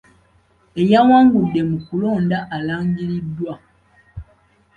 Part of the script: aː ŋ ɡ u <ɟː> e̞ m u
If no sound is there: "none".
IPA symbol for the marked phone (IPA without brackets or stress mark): dː